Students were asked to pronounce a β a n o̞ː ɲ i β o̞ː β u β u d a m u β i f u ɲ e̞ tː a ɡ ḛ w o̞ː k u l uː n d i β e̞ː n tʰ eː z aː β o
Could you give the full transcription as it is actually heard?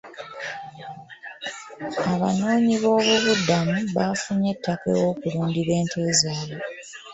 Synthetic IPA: a β a n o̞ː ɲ i β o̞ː β u β u d a m u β a f u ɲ e̞ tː a k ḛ w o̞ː k u l uː n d i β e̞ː n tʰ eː z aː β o